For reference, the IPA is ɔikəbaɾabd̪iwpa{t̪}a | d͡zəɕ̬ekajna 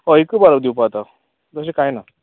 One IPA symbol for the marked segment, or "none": t̪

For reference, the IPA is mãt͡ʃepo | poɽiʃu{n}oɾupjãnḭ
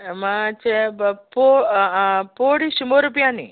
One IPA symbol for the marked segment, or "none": m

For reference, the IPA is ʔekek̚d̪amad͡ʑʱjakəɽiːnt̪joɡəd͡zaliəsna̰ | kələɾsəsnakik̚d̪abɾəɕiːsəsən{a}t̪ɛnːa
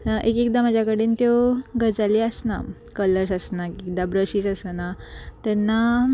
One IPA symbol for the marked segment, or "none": a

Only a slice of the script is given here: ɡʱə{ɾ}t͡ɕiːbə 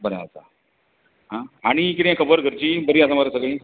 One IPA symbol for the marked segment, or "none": ɾ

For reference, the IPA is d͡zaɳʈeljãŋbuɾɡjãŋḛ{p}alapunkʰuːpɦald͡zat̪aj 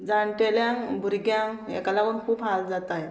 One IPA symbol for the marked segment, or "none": k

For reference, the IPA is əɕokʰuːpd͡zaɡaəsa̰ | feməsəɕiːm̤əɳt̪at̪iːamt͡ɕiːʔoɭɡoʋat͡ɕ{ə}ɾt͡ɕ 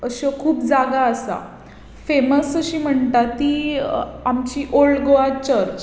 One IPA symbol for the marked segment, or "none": ə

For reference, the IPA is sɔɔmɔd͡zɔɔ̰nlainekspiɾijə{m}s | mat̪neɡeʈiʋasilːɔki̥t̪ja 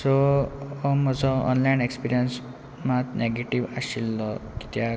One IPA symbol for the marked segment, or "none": n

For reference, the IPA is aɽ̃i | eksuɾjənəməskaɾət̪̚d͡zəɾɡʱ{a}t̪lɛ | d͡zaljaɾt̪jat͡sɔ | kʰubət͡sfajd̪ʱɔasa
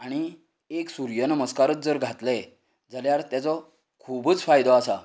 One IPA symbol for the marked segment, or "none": a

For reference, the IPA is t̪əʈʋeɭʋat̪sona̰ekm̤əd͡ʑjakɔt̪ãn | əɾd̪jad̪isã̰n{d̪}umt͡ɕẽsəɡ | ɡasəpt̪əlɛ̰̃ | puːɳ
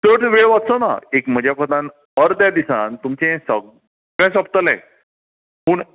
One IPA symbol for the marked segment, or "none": t̪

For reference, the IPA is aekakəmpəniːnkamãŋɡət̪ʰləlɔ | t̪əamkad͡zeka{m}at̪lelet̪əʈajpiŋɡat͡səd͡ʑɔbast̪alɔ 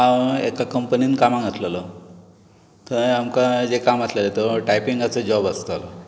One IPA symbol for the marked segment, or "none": m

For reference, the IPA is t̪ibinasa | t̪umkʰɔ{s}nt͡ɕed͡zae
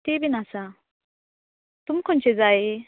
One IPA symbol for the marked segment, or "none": none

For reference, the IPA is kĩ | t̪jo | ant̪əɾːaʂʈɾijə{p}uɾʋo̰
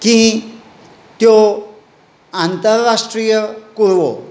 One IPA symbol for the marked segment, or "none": k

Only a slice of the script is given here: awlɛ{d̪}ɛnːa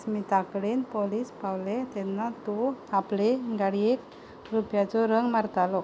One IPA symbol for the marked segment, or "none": t̪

